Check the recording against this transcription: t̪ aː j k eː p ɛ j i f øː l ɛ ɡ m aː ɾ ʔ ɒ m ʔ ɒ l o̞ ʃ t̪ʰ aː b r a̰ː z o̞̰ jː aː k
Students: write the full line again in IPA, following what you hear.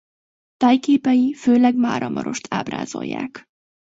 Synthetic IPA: t̪ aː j k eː p ɛ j i f øː l ɛ ɡ m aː ɾ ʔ ɒ m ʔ ɒ ɾ o̞ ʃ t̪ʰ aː b r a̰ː z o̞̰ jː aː k